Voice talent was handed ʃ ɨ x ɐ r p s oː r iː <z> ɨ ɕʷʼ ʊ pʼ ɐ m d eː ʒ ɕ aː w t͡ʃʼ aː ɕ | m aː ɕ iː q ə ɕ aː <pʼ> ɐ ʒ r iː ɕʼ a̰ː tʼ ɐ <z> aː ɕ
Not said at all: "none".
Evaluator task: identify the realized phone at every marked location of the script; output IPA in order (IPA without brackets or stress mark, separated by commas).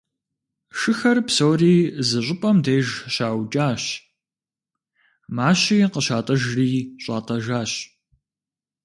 z, tʼ, ʒ